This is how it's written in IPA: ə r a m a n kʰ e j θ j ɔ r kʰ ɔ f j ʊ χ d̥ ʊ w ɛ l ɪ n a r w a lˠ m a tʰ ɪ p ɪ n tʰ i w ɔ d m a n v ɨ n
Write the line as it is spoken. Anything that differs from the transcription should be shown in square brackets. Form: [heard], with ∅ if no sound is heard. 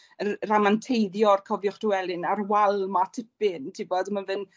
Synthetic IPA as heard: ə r a m a n [tʰ] e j [ð] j ɔ r kʰ ɔ [v] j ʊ χ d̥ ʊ w ɛ l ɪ n a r w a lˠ m a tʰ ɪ p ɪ n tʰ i [b] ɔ d m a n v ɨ n

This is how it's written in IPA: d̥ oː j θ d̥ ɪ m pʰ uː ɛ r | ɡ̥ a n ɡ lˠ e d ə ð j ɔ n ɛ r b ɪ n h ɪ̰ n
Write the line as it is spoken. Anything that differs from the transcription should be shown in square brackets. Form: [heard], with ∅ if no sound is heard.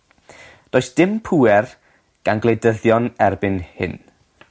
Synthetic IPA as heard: d̥ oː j [s] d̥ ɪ m pʰ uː ɛ r | ɡ̥ a n ɡ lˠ e d ə ð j ɔ n ɛ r b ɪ n h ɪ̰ n

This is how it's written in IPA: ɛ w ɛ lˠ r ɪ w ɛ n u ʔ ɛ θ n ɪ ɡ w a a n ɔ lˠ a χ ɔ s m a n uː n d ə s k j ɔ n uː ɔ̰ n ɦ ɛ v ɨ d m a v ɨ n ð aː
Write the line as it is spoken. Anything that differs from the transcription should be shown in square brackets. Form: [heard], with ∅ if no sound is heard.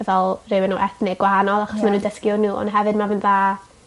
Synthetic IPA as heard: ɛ [v] ɛ lˠ r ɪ w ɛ n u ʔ ɛ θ n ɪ ɡ w a a n ɔ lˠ a χ ɔ s m a n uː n d ə s k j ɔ n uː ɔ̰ n ɦ ɛ v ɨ d m a v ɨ n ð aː

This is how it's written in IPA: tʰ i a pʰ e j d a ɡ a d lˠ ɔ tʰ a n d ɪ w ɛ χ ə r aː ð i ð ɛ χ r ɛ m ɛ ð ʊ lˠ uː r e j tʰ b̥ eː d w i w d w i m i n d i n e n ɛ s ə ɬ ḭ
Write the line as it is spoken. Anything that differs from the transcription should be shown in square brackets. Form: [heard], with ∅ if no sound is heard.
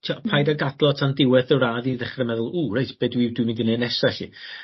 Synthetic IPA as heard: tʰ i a pʰ [a] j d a ɡ a d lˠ ɔ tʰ a n d ɪ w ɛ [θ] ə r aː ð i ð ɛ χ r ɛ m ɛ ð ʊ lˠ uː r e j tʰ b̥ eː d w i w d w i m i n d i n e n ɛ s [a] ɬ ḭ

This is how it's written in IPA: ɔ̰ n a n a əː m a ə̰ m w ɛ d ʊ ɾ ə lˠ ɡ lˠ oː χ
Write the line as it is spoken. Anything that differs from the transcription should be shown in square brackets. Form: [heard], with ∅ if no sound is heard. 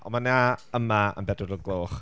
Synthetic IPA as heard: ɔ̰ [m] a n a [ə] m a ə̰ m [b] ɛ d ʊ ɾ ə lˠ ɡ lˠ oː χ

